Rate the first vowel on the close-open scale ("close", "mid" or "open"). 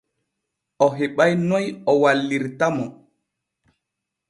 mid